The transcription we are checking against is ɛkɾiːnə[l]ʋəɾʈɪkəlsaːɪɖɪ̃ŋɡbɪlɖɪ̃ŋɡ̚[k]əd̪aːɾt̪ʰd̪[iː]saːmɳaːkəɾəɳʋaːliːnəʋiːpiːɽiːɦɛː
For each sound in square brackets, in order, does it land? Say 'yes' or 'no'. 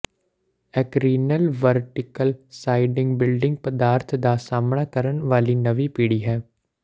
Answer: yes, no, no

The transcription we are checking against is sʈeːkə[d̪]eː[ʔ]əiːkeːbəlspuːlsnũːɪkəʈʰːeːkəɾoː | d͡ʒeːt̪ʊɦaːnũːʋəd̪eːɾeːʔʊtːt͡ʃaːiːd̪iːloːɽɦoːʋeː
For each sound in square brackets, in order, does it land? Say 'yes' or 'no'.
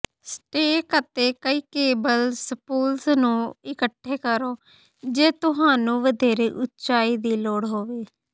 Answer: no, no

